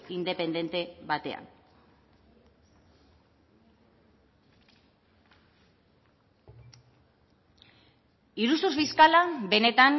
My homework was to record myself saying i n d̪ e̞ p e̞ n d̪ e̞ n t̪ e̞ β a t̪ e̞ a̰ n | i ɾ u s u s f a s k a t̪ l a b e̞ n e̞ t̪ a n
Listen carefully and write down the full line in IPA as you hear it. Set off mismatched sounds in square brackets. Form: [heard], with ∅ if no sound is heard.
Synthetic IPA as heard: i n d̪ e̞ p e̞ n d̪ e̞ n t̪ e̞ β a t̪ e̞ a̰ n | i ɾ u s u s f [i] s k a [∅] l a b e̞ n e̞ t̪ a n